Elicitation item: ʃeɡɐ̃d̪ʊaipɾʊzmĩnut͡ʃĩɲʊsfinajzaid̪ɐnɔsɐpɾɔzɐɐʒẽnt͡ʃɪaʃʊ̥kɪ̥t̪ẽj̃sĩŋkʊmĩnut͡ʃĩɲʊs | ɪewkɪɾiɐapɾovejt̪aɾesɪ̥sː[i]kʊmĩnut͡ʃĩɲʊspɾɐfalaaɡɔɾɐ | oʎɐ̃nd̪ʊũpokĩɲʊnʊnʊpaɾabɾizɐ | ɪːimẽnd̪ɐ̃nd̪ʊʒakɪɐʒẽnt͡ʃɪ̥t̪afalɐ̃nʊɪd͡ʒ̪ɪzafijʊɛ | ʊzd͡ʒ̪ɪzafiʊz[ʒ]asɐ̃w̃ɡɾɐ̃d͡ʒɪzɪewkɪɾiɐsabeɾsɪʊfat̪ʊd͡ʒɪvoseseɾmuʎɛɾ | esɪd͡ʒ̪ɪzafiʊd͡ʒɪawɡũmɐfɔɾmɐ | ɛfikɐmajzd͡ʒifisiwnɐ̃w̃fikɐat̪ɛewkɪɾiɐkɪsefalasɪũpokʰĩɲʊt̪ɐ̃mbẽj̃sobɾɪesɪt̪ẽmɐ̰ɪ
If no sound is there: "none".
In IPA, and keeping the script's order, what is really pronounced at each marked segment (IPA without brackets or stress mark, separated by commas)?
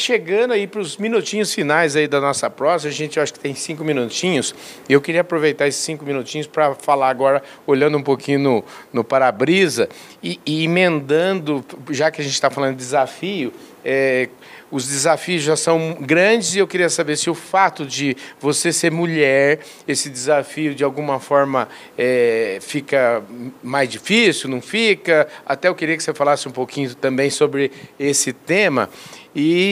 ĩ, ʒ